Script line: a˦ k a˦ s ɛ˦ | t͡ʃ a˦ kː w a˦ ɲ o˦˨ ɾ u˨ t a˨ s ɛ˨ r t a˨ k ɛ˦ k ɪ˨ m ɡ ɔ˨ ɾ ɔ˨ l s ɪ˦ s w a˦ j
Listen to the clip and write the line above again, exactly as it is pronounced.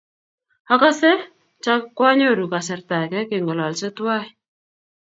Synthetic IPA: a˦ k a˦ s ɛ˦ | t͡ʃ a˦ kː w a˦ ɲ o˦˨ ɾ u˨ k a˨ s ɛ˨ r t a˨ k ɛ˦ k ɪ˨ ŋ ɡ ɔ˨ l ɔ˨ l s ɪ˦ t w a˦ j